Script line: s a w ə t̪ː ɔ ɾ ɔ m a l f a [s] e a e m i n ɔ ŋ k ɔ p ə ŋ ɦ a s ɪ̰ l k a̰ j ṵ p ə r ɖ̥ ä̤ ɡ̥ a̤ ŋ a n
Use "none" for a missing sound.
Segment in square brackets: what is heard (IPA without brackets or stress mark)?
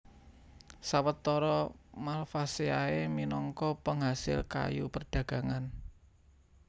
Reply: s